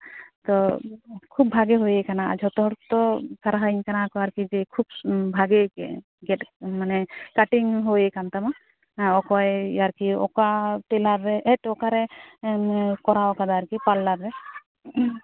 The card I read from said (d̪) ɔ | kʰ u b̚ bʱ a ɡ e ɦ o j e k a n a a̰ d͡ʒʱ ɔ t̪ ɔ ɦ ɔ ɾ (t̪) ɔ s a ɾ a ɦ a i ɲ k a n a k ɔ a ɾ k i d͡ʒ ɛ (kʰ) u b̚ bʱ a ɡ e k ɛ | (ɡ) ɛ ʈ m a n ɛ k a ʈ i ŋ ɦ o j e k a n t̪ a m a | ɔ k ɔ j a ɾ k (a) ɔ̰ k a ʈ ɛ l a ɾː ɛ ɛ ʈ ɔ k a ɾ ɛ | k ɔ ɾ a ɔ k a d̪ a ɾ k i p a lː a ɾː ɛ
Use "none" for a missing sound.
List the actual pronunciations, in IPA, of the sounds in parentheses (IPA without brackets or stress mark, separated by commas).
t̪, t̪, kʰ, ɡ, i